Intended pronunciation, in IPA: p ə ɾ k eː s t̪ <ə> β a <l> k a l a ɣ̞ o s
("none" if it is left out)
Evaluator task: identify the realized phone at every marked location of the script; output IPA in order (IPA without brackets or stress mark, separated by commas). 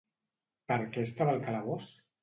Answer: a, l